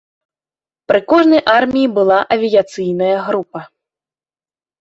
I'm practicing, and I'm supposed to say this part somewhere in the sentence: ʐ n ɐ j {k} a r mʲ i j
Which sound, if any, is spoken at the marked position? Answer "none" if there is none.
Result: ʔ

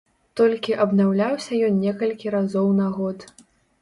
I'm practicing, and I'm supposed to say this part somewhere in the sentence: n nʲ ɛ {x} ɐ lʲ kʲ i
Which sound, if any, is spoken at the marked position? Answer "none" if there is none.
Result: k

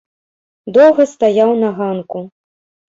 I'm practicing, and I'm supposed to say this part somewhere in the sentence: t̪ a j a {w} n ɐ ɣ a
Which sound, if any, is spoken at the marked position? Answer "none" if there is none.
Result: w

